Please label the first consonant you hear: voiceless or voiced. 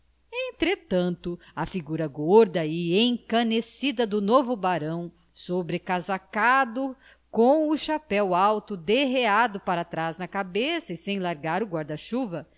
voiceless